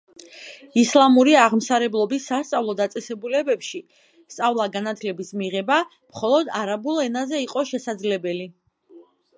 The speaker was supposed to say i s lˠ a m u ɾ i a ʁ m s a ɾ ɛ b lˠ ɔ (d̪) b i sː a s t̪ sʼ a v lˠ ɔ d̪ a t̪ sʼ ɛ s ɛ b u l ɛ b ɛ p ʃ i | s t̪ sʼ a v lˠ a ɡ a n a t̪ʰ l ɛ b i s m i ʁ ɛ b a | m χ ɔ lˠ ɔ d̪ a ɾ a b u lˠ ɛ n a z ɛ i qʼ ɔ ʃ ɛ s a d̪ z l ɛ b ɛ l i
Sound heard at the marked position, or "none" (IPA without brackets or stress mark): none